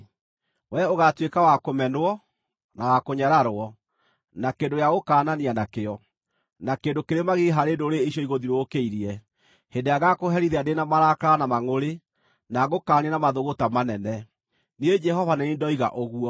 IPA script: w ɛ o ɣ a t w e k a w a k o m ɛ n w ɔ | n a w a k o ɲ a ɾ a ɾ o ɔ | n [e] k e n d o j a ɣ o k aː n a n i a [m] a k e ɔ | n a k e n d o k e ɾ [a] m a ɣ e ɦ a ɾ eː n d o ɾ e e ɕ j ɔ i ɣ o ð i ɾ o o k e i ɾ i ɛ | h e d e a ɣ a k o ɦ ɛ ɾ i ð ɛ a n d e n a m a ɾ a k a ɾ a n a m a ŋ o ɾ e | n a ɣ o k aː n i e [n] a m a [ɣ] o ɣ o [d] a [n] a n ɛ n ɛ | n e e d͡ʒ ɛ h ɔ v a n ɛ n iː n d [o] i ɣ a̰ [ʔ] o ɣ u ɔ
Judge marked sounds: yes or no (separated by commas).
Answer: no, no, no, yes, no, no, no, no, yes